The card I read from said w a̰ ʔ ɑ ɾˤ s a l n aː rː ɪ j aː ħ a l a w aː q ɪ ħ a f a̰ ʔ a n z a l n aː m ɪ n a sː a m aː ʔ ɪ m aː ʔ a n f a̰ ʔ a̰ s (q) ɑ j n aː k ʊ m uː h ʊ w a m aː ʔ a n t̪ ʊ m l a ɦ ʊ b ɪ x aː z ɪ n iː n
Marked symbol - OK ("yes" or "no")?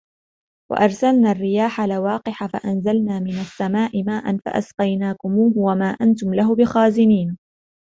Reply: yes